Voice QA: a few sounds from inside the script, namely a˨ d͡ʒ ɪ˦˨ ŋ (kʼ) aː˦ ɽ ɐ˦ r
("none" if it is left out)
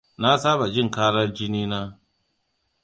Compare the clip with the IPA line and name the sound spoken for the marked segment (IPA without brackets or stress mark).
k